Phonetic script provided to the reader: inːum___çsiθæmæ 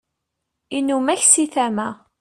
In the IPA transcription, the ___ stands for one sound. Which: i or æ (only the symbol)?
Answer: æ